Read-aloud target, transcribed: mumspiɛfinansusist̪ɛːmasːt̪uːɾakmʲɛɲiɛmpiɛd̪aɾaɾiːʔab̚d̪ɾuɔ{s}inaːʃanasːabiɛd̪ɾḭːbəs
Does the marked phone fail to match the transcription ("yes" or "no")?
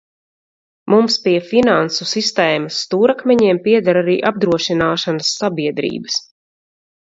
yes